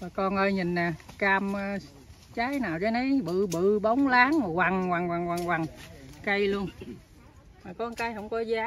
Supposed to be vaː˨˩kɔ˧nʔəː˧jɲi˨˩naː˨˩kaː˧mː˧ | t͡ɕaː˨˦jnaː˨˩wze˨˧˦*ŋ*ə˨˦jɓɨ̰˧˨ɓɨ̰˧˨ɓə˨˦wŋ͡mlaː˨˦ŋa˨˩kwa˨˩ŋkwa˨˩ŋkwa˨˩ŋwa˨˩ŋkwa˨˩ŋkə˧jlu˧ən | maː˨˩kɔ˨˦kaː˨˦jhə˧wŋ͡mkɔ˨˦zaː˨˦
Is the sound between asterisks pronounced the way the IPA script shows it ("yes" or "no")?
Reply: no